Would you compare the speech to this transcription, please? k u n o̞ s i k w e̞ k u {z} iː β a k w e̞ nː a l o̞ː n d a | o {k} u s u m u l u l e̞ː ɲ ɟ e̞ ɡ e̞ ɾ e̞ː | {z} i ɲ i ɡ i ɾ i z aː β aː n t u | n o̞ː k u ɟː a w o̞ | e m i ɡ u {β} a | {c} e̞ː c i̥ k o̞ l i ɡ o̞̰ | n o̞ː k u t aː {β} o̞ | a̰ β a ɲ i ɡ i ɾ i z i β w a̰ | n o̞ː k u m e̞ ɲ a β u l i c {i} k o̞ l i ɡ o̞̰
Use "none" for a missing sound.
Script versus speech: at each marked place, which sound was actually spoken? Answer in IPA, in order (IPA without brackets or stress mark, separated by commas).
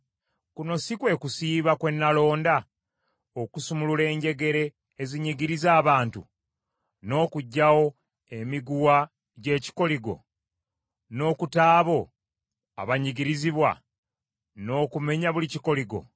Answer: s, k, z, w, ɟ, β, i